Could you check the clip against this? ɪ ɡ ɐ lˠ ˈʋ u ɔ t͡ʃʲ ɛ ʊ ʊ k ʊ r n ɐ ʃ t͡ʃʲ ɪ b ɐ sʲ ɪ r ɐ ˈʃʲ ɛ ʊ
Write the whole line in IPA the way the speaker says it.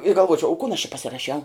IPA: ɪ ɡ ɐ lˠ ˈʋ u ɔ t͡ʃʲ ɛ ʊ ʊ k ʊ n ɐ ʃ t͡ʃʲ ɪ p ɐ sʲ ɪ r ɐ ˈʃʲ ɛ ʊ